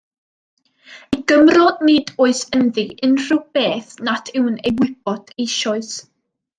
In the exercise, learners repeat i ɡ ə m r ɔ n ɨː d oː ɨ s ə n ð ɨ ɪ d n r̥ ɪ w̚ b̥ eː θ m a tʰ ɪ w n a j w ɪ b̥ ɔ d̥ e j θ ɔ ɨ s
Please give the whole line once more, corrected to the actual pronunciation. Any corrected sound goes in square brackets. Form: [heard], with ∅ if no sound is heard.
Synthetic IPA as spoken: i ɡ ə m r ɔ n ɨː d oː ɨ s ə n ð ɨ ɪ [∅] n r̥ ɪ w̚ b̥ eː θ [n] a tʰ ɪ w n [e] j w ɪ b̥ ɔ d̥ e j [ʃ] ɔ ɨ s